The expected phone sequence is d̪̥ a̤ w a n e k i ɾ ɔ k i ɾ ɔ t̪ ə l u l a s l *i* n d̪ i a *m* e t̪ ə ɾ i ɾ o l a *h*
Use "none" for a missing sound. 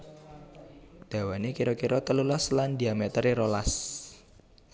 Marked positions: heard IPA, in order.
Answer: a, m, s

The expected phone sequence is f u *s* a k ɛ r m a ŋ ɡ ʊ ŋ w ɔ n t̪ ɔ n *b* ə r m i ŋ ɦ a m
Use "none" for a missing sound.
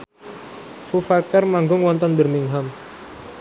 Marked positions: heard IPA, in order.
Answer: f, b

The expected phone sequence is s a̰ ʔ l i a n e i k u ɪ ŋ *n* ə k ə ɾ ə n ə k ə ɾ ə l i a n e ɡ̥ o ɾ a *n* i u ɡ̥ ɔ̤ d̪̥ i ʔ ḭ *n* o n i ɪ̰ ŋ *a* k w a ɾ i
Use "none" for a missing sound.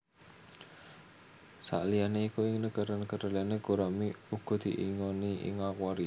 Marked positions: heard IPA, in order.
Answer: n, m, ŋ, a

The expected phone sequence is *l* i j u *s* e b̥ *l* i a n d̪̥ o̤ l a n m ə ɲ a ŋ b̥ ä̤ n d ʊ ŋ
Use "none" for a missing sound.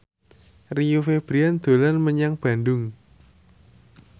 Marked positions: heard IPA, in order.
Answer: r, f, ɾ

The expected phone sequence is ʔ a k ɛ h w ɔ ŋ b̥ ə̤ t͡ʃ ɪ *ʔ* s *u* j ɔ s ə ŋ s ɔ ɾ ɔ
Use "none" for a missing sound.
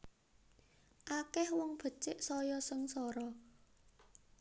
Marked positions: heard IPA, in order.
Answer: ʔ, ɔ

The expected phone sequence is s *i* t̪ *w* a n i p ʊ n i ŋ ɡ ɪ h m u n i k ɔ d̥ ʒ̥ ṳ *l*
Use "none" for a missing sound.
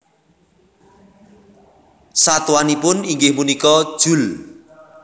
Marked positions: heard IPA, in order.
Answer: a, w, l

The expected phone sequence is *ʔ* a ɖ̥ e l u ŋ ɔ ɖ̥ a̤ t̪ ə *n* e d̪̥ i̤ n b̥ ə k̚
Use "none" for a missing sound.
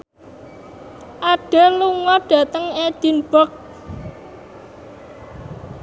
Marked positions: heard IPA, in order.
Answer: ʔ, ŋ

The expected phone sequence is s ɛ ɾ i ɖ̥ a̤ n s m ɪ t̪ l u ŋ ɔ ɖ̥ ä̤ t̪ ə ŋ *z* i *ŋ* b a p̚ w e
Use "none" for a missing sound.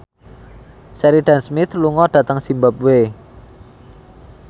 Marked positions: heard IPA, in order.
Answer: s, m

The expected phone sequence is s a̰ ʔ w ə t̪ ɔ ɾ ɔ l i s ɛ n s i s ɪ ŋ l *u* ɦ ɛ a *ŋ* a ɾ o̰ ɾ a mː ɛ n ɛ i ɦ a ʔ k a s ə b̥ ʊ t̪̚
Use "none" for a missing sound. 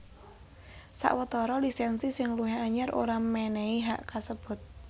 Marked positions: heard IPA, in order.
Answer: u, ɲ

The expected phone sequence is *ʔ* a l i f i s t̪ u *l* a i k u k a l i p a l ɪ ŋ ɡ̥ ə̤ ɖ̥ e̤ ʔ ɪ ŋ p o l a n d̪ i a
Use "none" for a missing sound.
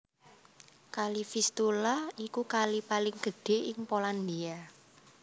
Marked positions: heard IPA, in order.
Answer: k, l

